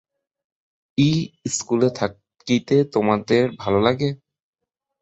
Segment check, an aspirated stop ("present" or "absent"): present